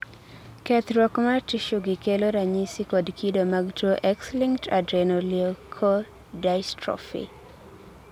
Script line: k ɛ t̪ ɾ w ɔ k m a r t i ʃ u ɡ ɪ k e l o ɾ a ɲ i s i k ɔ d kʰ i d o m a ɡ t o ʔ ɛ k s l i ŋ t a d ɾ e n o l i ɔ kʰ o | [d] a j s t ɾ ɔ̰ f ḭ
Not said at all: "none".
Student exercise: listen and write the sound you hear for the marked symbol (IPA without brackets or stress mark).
d